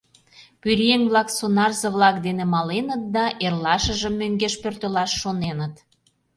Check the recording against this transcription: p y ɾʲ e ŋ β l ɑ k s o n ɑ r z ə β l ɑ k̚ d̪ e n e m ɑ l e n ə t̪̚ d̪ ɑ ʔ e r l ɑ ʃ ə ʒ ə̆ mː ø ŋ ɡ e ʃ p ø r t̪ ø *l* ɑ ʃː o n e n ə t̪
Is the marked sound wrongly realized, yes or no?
no